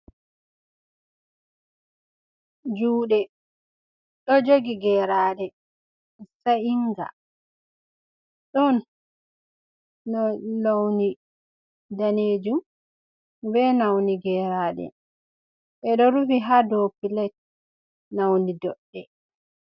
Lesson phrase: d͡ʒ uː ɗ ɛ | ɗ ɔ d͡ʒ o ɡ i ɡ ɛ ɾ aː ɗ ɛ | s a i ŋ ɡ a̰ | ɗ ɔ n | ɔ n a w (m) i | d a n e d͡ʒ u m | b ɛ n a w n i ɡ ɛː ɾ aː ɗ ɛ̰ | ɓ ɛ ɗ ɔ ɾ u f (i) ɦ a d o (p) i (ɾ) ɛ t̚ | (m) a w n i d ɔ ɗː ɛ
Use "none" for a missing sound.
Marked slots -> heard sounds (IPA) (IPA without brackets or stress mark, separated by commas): n, i, p, l, n